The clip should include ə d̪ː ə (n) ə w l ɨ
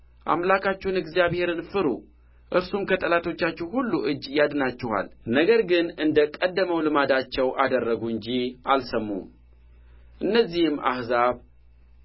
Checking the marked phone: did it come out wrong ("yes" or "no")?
yes